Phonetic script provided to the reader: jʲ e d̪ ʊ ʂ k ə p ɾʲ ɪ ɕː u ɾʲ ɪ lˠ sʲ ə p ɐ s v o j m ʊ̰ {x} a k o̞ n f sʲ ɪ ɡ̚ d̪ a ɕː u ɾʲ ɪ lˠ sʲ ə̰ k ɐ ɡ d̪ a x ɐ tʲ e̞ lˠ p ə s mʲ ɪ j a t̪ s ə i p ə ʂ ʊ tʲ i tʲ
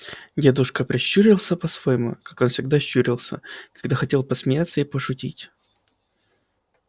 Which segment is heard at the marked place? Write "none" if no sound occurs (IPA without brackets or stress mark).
k